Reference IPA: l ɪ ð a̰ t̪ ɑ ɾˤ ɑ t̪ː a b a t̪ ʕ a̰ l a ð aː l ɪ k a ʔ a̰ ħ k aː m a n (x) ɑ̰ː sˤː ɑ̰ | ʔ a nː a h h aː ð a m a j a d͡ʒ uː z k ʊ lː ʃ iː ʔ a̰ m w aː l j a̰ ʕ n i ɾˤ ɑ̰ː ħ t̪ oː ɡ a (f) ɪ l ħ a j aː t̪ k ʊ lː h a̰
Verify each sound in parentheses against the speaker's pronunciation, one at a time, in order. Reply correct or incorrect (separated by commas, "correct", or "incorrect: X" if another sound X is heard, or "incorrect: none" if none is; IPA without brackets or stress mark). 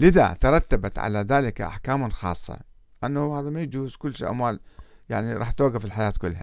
correct, correct